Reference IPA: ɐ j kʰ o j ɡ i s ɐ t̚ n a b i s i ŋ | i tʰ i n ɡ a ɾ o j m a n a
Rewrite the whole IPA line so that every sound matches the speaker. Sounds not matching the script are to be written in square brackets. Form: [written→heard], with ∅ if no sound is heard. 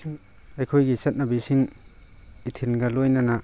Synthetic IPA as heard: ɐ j kʰ o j ɡ i s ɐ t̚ n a b i s i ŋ | i tʰ i n ɡ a [ɾ→l] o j [m→n] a n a